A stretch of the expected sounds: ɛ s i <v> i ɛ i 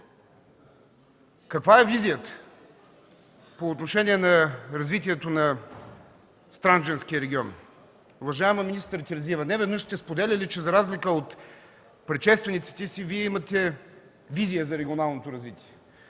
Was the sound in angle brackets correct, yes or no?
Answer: yes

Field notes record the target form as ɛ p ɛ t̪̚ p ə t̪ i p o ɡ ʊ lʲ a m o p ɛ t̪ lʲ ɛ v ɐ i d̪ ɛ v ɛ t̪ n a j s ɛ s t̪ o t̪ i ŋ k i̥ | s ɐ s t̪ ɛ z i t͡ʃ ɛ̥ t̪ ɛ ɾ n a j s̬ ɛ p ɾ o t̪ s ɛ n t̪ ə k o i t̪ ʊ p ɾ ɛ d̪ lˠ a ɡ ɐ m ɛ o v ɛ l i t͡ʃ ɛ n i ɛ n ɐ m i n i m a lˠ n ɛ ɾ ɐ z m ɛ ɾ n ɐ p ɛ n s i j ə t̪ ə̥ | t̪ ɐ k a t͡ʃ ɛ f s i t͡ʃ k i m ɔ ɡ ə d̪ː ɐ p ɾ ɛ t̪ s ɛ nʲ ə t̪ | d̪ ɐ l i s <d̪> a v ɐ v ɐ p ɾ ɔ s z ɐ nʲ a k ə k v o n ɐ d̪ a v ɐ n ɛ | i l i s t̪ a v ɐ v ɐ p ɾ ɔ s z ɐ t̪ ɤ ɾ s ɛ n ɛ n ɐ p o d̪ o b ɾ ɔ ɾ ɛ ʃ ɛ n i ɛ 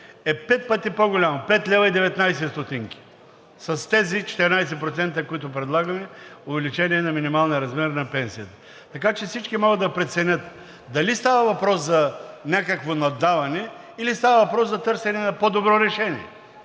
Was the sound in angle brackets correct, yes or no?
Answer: no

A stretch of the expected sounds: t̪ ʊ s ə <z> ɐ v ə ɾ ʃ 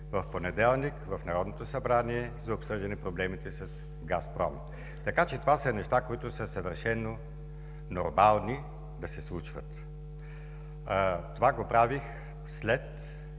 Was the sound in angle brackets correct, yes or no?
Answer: no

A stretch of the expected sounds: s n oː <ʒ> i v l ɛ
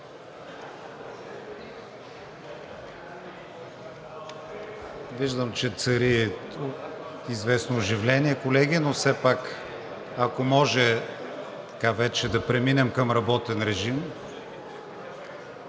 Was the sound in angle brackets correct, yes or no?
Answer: yes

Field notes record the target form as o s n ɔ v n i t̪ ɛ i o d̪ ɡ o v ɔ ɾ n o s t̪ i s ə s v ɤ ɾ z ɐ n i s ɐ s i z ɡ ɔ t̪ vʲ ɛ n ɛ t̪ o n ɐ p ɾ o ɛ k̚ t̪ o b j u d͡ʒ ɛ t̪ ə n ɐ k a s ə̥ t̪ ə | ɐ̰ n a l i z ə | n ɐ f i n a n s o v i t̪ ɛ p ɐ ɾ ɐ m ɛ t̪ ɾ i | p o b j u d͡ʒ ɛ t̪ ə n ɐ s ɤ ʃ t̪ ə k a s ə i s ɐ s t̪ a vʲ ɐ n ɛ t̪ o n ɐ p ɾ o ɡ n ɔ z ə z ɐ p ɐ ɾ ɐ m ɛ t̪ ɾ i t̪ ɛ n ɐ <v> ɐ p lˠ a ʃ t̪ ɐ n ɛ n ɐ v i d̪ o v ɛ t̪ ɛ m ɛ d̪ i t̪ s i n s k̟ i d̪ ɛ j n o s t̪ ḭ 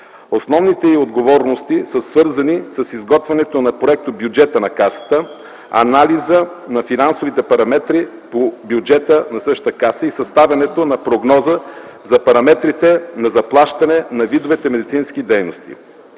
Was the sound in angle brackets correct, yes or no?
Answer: no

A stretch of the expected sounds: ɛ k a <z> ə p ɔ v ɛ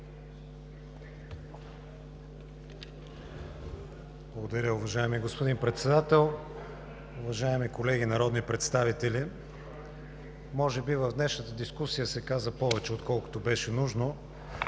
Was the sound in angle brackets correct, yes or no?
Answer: yes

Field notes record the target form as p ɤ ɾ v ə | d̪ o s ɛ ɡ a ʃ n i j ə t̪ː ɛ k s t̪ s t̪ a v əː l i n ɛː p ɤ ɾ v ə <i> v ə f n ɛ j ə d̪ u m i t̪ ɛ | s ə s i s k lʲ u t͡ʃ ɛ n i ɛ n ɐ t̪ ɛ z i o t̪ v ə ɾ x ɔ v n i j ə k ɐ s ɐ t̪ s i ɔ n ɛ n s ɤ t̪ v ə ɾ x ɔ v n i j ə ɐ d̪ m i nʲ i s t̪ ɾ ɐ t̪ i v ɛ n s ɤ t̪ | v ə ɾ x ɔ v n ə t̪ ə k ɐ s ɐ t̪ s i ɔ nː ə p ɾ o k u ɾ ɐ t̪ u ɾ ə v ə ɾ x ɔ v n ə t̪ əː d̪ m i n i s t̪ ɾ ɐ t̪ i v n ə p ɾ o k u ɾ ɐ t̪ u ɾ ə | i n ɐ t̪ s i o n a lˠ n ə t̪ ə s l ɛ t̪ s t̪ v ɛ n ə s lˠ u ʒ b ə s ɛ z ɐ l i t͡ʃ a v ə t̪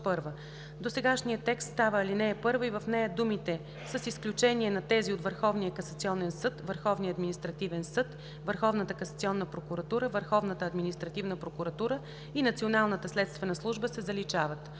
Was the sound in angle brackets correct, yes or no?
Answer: yes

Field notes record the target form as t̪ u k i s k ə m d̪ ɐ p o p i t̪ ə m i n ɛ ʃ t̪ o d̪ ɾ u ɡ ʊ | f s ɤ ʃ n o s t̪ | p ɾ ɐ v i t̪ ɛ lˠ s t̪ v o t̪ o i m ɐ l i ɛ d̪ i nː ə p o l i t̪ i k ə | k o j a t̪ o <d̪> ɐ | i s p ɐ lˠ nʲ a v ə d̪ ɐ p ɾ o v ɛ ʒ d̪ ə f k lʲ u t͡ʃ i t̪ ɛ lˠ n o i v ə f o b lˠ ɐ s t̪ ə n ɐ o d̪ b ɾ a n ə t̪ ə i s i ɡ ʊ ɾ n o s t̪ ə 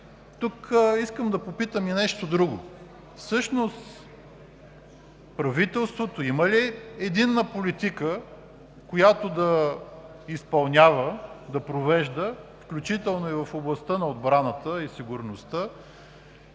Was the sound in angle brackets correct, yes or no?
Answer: yes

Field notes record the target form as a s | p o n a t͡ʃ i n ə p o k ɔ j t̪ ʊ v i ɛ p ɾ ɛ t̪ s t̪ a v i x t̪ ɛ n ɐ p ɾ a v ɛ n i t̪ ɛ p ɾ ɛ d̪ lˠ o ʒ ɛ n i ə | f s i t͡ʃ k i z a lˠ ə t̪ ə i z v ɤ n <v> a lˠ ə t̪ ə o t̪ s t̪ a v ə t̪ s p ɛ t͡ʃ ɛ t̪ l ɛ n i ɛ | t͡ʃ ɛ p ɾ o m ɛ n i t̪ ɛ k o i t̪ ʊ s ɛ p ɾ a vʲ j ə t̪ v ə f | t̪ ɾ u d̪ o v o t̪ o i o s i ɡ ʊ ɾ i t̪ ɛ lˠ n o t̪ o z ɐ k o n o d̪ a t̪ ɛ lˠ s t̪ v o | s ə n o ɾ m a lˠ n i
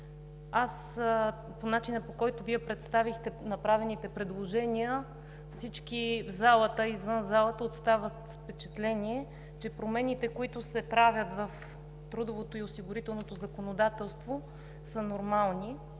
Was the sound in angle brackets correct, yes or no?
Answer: no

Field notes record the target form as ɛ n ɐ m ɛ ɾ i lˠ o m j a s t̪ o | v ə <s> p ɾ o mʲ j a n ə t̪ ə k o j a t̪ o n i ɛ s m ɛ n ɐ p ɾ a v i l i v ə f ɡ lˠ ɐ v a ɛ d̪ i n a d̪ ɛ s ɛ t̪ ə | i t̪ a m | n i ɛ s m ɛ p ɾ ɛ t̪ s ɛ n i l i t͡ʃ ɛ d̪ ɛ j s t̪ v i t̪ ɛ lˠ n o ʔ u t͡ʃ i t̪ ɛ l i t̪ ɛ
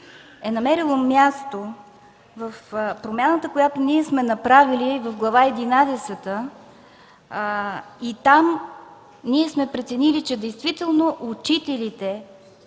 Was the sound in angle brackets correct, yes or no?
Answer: no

